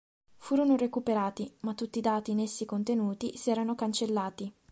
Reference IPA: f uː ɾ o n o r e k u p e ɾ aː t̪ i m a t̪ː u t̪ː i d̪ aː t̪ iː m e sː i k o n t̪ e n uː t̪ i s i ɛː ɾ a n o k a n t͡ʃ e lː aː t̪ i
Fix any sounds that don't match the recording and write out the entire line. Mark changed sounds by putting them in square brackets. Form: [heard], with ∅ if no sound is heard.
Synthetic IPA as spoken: f uː ɾ o n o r e k u p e ɾ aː t̪ i m a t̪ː u t̪ː i d̪ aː t̪ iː [n] e sː i k o n t̪ e n uː t̪ i s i ɛː ɾ a n o k a n t͡ʃ e lː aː t̪ i